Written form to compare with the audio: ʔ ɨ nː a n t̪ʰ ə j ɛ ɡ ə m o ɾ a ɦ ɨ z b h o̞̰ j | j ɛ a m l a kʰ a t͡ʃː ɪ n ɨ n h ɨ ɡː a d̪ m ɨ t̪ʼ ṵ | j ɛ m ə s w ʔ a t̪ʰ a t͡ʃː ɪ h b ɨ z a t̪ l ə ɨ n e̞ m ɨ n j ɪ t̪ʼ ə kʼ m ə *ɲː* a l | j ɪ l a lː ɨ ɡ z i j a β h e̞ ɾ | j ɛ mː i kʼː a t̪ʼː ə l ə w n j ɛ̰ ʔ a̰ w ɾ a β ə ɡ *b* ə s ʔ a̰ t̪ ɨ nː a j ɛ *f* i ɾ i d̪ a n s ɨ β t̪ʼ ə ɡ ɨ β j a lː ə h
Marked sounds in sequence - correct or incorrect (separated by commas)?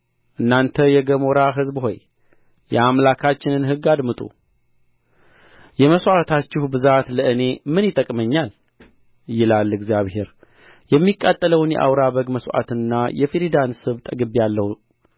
correct, incorrect, correct